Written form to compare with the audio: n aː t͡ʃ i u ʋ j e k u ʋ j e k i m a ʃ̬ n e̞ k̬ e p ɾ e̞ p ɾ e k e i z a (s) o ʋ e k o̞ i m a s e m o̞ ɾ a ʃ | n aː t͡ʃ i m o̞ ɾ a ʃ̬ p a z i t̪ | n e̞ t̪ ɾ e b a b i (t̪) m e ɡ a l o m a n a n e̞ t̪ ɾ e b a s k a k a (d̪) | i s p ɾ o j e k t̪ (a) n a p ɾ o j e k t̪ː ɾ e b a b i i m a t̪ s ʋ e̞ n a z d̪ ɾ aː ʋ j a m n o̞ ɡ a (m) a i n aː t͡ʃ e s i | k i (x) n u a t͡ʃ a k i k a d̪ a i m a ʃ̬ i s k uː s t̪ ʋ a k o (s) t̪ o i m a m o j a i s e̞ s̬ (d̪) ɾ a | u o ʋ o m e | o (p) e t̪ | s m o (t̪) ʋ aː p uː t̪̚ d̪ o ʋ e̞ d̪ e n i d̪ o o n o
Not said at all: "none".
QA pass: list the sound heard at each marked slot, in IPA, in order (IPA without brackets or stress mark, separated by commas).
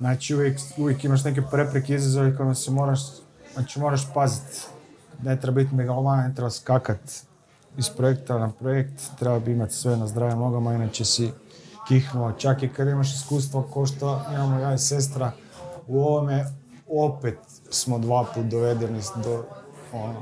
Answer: z, t̪, t̪, a, m, x, ʃ, t̪, p, d̪